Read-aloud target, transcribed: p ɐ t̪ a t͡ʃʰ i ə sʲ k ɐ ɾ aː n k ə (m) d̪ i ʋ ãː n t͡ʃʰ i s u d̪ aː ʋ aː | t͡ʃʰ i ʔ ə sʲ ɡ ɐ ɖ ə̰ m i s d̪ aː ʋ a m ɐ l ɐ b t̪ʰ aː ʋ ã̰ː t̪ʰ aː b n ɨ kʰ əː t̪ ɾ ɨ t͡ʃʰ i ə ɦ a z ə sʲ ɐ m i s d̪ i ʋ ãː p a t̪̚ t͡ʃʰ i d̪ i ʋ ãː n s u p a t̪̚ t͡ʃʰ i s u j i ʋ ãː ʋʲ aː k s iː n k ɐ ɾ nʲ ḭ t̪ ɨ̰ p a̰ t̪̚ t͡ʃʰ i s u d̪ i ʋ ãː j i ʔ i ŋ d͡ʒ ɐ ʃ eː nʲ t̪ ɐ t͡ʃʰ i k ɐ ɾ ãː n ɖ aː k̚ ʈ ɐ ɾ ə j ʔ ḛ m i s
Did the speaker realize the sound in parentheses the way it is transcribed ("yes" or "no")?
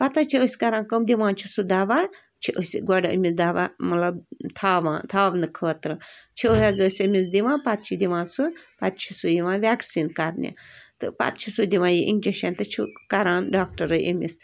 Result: yes